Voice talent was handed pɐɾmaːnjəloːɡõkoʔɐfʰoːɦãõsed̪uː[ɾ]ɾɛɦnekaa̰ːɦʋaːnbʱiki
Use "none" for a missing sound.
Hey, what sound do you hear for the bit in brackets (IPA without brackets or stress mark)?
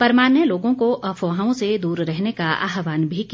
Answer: ɾ